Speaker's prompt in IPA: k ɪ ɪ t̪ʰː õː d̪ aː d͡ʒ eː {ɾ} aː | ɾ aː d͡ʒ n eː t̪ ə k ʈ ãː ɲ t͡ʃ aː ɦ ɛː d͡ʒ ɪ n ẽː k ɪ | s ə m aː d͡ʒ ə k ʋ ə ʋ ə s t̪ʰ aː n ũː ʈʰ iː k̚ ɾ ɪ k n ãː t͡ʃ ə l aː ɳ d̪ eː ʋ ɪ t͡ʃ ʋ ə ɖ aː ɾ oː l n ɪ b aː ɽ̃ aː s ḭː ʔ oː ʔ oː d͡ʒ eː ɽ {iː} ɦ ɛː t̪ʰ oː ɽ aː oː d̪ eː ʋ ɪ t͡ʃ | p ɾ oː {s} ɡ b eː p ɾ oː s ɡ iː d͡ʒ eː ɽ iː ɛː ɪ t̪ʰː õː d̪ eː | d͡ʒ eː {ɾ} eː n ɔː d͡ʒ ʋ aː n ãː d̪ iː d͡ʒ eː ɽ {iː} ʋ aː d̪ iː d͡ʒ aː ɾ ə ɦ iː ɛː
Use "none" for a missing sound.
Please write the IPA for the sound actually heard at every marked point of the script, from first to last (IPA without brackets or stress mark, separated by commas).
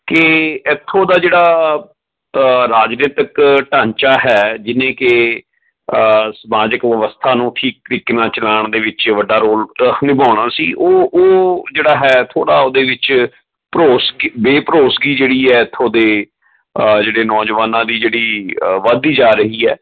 ɽ, aː, s, ɽ, iː